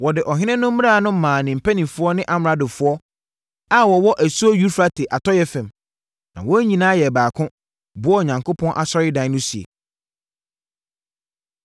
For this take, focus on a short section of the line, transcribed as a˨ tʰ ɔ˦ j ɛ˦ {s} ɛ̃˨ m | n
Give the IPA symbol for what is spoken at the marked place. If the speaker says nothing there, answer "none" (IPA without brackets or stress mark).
f